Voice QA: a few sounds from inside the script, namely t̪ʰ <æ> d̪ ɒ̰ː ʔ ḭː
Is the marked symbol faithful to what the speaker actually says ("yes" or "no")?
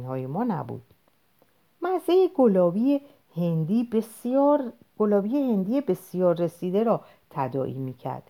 yes